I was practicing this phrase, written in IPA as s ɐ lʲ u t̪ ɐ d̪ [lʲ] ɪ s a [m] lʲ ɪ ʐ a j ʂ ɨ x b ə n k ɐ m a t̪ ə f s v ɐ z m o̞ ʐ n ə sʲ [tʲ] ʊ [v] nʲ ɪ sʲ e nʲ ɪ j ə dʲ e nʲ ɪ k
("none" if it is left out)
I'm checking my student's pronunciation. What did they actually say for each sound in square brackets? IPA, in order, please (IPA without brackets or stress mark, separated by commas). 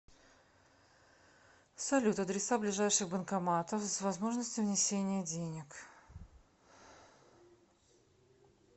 ɾʲ, b, tʲ, v